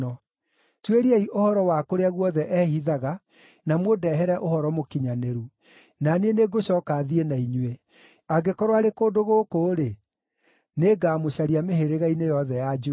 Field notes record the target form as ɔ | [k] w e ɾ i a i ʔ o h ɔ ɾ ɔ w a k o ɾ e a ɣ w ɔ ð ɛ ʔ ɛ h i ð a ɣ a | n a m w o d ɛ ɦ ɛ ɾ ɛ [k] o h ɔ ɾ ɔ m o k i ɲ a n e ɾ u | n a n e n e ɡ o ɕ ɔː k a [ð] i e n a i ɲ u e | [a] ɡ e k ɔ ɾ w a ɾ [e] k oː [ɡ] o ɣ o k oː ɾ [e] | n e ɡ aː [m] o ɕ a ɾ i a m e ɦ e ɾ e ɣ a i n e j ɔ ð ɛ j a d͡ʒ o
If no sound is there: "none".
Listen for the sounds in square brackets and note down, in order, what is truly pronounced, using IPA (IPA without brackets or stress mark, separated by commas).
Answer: t, ʔ, ð, a, e, d, e, m